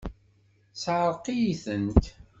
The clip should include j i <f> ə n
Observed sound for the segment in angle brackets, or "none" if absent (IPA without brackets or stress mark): θ